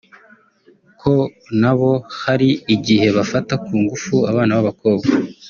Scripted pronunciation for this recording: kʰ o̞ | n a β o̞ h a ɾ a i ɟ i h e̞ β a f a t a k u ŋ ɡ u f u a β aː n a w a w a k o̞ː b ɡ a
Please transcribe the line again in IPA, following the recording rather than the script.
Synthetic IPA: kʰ o̞ | n a β o̞ h a ɾ i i ɟ i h e̞ β a f a t a k uː ŋ ɡ u f u a β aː n a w a β a k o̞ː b ɡ a